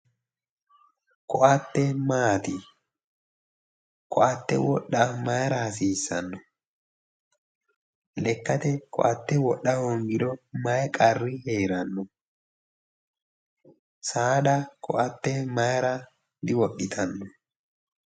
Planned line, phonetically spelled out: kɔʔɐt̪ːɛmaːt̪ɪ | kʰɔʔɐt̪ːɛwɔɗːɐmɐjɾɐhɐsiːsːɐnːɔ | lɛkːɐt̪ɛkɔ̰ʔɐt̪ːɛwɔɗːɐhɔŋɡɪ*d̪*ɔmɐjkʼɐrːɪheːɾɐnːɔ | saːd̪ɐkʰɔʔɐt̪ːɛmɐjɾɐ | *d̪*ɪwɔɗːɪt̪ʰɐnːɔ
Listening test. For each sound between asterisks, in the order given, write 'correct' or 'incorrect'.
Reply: correct, correct

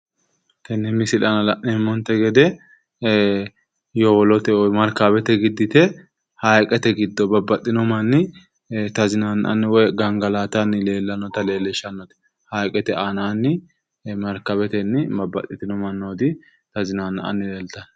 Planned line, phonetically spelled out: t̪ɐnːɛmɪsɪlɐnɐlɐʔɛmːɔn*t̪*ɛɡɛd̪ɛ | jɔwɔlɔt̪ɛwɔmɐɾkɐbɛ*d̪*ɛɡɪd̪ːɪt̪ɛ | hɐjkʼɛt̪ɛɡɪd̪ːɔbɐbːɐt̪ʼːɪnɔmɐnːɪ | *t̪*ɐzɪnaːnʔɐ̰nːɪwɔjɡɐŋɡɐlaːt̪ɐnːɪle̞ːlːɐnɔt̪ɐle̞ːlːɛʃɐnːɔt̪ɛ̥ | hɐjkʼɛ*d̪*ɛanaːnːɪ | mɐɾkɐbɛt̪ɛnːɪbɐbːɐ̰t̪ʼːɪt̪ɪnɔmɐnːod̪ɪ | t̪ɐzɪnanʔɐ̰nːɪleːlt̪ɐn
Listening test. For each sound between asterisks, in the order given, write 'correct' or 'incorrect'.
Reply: correct, incorrect, correct, incorrect

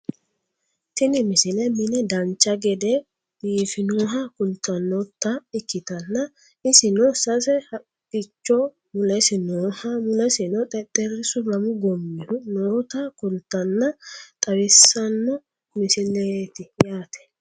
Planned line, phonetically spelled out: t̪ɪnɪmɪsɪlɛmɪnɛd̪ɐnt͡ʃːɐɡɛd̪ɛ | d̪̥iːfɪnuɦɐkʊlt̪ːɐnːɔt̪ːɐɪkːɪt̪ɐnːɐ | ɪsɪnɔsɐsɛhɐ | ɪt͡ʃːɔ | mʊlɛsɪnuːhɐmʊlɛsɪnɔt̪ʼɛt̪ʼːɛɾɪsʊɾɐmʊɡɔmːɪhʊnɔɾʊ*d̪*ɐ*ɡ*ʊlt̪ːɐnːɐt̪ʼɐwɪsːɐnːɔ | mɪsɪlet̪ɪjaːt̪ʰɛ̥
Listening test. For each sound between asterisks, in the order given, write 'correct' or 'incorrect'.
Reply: incorrect, incorrect

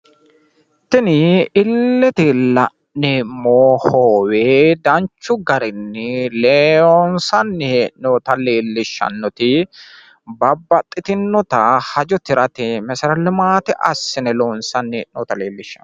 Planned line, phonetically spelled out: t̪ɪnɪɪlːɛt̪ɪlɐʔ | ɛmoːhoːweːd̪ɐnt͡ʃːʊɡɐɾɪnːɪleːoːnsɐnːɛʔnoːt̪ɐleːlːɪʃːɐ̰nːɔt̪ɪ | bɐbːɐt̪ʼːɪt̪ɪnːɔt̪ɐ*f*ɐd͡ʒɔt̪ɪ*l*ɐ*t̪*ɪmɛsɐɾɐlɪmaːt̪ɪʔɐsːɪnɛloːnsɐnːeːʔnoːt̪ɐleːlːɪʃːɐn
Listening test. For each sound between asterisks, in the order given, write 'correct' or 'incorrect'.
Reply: incorrect, incorrect, correct

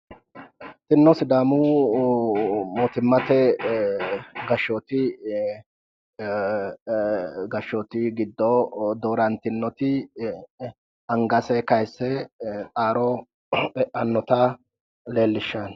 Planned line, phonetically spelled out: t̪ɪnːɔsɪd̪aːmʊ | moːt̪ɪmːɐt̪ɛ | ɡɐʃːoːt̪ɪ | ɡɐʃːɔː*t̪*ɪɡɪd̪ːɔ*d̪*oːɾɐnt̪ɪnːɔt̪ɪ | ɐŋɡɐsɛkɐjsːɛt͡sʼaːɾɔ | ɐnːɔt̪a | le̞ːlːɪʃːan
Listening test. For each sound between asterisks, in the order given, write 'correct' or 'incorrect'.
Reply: correct, correct

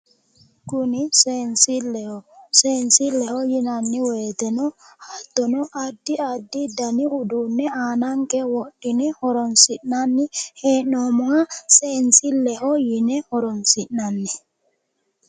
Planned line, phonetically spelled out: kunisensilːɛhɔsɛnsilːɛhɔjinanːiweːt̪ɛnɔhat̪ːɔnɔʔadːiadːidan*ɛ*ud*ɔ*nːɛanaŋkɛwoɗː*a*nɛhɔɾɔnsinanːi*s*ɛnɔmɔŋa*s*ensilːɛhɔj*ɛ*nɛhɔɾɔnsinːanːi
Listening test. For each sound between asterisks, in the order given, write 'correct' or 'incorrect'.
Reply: incorrect, incorrect, incorrect, incorrect, correct, incorrect

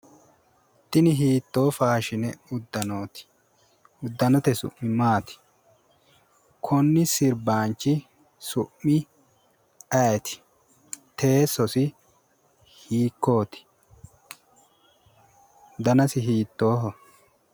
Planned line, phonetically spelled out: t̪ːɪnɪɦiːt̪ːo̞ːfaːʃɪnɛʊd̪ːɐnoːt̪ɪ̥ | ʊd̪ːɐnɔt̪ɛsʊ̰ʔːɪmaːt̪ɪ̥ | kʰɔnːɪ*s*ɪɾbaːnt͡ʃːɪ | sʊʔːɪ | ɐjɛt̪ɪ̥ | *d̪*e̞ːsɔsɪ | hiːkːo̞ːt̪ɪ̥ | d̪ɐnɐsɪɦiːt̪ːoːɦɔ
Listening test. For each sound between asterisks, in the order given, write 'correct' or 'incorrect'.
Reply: correct, incorrect

